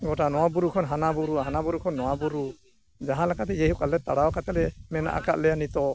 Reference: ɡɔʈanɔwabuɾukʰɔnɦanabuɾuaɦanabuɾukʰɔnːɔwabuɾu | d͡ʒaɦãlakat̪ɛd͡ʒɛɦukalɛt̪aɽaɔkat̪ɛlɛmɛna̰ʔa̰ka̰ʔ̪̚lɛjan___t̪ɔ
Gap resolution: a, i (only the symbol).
i